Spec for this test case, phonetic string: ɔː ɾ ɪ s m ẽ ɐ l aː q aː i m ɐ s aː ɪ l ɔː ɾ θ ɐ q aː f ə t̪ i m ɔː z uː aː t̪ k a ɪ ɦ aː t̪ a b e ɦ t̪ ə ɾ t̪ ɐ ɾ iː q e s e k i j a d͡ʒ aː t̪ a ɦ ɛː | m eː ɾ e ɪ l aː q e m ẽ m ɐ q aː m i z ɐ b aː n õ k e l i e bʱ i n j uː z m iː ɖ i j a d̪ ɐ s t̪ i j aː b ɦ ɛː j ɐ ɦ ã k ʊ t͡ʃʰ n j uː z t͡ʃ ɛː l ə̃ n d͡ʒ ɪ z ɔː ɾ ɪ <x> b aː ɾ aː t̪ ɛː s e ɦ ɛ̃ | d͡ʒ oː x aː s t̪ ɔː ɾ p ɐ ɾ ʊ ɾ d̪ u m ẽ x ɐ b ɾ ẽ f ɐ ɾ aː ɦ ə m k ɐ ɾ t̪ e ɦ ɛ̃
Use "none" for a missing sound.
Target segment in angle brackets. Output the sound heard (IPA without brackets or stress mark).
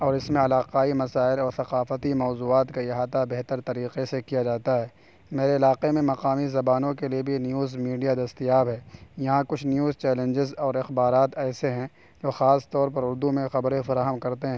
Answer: x